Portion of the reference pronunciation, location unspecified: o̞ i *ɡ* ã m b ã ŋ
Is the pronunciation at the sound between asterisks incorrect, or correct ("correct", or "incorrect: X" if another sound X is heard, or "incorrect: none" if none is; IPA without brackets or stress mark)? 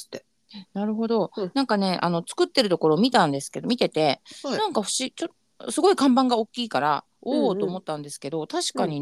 incorrect: k